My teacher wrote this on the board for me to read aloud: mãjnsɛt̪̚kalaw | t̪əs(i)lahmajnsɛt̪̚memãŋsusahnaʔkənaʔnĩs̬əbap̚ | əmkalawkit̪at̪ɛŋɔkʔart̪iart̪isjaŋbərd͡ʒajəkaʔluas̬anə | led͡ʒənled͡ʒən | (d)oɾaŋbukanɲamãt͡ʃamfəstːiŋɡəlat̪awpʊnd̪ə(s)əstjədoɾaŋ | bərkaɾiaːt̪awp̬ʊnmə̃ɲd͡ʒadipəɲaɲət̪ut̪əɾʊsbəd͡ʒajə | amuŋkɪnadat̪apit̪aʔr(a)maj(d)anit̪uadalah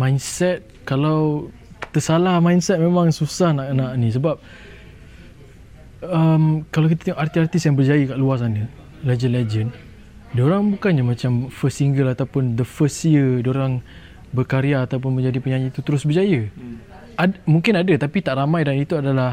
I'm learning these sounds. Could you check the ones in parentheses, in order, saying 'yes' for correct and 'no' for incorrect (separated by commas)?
no, yes, no, yes, yes